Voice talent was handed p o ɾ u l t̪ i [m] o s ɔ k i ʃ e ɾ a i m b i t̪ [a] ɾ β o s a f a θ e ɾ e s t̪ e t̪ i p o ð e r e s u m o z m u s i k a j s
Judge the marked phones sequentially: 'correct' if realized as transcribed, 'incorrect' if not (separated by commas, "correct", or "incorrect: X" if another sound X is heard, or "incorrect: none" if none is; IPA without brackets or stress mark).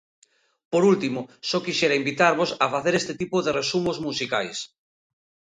correct, correct